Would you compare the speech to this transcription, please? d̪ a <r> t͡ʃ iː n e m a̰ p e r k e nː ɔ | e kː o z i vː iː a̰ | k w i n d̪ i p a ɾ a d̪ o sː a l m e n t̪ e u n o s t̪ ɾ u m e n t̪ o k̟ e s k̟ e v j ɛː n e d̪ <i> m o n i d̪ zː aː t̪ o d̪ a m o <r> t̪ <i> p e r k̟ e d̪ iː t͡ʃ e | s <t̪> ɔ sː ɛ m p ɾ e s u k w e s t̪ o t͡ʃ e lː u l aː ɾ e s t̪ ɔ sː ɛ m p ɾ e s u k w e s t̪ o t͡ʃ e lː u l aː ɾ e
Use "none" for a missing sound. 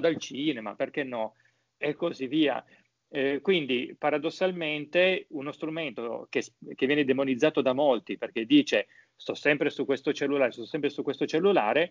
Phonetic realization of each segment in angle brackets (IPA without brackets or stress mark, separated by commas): l, e, l, i, t̪